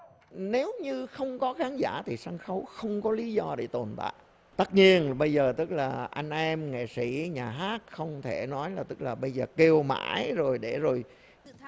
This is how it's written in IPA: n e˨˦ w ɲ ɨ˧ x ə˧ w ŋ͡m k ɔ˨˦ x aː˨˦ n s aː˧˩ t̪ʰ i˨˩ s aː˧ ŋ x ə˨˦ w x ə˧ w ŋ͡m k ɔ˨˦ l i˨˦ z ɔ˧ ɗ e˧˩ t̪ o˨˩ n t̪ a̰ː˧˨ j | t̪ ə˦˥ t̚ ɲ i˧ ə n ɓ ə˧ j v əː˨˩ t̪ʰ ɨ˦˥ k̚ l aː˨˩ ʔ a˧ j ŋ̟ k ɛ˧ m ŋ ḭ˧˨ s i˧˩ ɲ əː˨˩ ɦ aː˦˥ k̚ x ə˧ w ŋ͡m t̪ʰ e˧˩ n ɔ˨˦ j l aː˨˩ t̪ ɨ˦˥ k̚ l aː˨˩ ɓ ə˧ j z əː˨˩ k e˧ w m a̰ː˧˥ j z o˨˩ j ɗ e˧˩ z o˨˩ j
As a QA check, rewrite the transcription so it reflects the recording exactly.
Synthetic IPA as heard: n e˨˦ w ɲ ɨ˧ x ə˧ w ŋ͡m k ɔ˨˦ x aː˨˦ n z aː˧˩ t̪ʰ i˨˩ s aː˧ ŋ x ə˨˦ w x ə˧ w ŋ͡m k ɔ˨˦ l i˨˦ z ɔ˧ ɗ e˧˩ t̪ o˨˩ n t̪ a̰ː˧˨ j | t̪ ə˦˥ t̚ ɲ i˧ ə n ɓ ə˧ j z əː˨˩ t̪ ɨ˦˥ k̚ l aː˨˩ ʔ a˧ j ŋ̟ ʔ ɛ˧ m ŋ ḛ˧˨ s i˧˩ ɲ aː˨˩ ɦ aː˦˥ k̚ x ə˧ w ŋ͡m t̪ʰ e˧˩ n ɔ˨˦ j l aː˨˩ t̪ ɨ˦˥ k̚ l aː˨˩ ɓ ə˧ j z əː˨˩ k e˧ w m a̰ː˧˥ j z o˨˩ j ɗ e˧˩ z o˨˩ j